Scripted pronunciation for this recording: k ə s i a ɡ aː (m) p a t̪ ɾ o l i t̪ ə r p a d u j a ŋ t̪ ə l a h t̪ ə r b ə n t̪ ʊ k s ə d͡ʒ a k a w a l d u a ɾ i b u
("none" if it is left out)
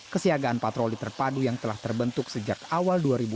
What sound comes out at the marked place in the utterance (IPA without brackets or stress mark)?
n